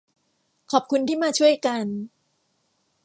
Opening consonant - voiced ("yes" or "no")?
no